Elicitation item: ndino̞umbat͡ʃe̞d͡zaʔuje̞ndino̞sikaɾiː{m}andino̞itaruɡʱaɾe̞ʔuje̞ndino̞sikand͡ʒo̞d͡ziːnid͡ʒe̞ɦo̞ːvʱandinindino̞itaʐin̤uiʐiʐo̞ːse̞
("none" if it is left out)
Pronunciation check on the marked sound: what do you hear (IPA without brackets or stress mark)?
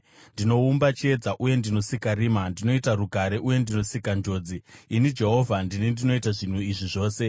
m